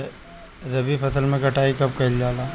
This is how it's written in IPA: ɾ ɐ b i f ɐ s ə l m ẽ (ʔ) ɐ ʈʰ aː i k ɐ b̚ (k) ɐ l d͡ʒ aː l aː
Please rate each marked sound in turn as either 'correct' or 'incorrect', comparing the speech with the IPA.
incorrect, correct

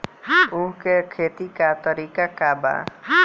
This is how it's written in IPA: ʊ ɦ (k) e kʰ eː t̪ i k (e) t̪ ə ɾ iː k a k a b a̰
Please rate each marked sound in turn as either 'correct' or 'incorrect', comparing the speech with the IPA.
correct, incorrect

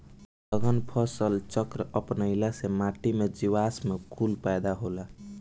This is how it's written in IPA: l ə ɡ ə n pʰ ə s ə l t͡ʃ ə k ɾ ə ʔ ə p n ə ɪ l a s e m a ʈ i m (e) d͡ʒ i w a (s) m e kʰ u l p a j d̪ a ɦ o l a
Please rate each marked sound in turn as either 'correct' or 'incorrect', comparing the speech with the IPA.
correct, correct

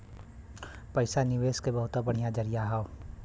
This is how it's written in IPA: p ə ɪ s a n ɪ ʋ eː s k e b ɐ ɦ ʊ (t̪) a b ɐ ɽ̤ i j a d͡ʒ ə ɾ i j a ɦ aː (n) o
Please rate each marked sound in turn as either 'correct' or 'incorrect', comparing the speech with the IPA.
correct, incorrect

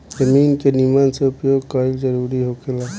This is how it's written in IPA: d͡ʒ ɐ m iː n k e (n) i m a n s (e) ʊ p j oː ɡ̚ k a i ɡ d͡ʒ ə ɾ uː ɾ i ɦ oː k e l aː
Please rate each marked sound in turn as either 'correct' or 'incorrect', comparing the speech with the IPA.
correct, correct

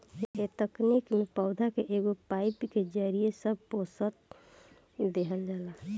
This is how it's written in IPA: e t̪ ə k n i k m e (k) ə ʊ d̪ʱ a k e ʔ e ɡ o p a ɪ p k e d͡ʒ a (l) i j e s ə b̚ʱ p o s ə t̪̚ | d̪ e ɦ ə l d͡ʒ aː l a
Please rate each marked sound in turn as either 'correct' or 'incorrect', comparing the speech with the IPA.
incorrect, incorrect

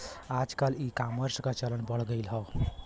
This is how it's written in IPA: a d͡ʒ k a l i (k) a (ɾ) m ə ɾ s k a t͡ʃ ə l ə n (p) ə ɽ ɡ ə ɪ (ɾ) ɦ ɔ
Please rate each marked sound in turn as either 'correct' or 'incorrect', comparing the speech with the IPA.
correct, incorrect, incorrect, incorrect

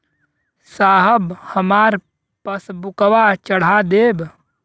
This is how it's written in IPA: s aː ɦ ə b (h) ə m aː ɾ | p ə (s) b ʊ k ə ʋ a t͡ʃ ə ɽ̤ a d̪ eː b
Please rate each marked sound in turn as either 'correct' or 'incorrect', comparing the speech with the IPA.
correct, correct

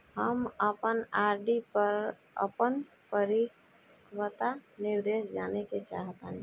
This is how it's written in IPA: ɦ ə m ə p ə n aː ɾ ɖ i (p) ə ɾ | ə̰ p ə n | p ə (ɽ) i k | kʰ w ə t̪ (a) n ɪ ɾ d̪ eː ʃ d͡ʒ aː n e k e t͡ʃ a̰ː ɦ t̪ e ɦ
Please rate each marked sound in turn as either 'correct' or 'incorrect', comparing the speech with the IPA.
correct, incorrect, correct

